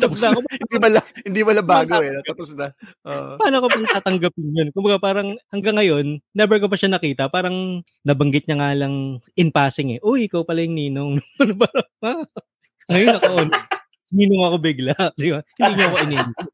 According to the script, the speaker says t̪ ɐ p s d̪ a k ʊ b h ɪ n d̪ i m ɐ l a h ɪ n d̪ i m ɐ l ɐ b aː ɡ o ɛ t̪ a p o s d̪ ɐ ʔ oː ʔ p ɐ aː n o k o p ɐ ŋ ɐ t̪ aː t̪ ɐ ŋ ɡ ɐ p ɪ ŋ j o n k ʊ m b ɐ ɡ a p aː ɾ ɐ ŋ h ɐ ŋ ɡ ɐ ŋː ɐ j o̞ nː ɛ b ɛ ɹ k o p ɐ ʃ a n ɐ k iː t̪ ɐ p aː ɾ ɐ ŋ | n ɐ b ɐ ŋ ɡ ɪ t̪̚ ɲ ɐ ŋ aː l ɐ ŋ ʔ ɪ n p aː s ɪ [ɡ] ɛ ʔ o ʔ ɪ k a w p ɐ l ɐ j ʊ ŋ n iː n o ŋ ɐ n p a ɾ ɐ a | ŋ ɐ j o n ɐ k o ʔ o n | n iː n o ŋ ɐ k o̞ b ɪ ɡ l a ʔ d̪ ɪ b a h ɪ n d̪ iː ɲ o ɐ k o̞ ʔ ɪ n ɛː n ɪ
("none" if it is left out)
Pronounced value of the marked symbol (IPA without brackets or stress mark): ŋ